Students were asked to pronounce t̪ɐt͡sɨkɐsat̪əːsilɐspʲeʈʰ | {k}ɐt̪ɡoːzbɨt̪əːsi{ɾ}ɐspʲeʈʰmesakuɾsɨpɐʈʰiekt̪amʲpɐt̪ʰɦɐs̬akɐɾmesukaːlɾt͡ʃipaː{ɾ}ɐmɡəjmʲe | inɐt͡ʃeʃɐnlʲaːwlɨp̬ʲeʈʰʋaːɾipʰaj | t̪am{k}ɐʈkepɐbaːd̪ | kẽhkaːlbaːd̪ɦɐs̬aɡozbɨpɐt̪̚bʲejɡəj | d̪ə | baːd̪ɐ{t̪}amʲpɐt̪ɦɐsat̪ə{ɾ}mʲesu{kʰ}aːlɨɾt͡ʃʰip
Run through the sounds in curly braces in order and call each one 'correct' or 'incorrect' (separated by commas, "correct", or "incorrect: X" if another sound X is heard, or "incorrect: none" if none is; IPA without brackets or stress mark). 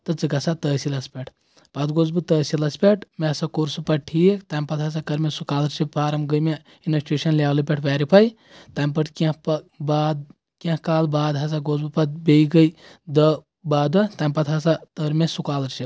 incorrect: p, incorrect: l, correct, incorrect: p, correct, correct, incorrect: k